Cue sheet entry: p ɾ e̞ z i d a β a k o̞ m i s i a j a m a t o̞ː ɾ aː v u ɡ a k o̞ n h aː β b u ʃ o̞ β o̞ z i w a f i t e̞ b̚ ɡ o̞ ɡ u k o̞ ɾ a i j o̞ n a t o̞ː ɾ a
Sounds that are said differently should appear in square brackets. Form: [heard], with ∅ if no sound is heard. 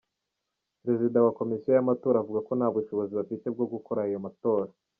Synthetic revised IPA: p ɾ e̞ z i d a [w] a k o̞ m i s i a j a m a t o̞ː ɾ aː v u ɡ a k o̞ n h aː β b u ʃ o̞ β o̞ z i [β] a f i t e̞ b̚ ɡ o̞ ɡ u k o̞ ɾ a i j o̞ [m] a t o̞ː ɾ a